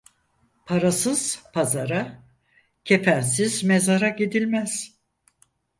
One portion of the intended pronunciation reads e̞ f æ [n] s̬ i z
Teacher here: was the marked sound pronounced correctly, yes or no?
yes